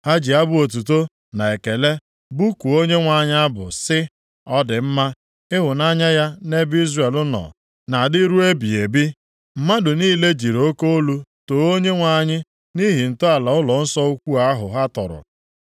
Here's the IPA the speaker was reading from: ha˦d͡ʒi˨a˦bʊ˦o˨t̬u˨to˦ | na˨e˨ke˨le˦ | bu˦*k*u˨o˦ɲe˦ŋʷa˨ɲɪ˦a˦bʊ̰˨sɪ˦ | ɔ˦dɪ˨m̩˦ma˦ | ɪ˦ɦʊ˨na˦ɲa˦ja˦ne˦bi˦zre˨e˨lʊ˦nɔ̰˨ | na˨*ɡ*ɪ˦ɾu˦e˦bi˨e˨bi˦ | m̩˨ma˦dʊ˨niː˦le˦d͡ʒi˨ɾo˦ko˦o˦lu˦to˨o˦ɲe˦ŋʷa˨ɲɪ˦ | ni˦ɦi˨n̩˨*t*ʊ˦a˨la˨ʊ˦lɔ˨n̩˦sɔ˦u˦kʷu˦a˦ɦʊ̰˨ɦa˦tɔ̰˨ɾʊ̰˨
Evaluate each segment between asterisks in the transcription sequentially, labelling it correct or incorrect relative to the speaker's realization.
correct, incorrect: d, correct

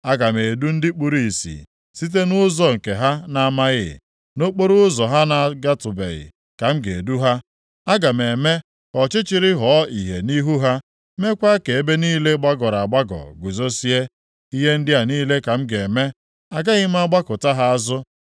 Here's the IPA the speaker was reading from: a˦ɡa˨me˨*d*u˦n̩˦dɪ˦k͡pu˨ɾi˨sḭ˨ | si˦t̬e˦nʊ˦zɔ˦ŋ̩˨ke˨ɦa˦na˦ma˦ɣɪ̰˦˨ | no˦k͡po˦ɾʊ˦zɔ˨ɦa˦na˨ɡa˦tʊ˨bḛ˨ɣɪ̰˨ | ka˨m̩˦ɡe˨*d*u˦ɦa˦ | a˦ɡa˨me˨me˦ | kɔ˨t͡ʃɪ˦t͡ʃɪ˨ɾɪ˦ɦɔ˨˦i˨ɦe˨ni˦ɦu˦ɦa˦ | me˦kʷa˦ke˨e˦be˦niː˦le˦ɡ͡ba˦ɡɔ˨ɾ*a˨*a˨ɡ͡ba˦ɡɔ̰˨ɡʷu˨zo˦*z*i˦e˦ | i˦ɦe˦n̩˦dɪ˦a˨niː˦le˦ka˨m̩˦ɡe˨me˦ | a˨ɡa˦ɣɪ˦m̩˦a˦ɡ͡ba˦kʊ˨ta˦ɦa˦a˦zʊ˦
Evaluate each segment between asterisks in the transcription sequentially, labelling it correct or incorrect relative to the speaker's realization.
correct, correct, correct, incorrect: s

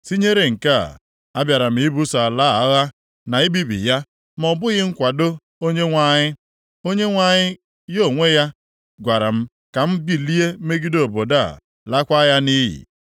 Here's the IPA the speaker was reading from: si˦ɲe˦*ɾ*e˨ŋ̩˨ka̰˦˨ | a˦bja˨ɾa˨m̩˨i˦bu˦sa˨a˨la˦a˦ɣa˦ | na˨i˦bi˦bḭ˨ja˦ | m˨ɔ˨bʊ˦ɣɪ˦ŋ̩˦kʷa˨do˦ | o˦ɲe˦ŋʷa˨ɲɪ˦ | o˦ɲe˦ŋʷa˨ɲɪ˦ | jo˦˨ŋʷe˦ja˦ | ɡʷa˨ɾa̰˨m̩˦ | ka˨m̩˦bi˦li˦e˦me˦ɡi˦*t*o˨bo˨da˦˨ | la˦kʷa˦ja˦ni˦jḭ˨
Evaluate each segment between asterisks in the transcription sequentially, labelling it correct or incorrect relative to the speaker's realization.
correct, incorrect: d

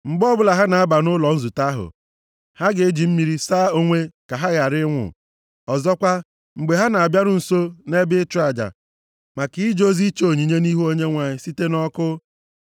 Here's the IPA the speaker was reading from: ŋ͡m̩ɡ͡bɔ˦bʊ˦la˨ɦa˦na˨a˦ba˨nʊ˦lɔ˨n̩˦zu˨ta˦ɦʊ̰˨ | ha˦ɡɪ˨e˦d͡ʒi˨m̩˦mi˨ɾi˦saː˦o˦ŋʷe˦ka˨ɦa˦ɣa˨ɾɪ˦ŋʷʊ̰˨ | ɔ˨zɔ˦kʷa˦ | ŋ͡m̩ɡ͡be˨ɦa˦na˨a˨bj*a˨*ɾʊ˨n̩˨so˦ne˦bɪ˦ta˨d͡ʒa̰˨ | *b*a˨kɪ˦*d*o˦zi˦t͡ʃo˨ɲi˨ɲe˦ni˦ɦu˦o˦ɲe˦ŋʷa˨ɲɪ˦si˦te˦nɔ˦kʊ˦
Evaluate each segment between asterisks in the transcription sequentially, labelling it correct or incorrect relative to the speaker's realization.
incorrect: a˦, incorrect: m, incorrect: d͡ʒ

